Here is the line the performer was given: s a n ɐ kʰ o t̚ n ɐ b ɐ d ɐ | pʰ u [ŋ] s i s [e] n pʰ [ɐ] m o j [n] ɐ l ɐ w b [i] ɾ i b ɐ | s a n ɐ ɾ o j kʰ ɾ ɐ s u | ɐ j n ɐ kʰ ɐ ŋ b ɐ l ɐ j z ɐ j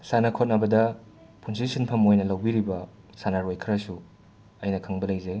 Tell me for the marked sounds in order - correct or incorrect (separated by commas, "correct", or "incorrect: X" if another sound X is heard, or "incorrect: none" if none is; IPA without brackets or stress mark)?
incorrect: n, incorrect: i, correct, correct, correct